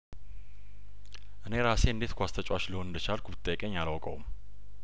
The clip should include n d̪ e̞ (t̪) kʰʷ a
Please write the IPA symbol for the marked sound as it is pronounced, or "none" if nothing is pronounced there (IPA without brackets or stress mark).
t̪